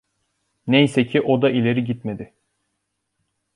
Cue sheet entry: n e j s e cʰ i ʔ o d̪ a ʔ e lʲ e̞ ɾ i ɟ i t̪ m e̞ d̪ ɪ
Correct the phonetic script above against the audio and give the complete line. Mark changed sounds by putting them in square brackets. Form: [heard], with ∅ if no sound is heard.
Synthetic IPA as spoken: n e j s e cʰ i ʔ o d̪ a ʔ [i] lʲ e̞ ɾ i ɟ i t̪ m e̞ d̪ ɪ